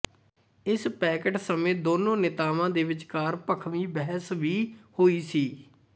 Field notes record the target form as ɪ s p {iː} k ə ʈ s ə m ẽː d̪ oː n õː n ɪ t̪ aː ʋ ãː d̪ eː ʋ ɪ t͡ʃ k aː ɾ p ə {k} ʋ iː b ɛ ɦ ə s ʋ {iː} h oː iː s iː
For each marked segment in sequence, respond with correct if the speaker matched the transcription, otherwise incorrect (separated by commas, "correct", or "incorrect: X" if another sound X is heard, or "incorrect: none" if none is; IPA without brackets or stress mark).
incorrect: ɛː, incorrect: kʰ, correct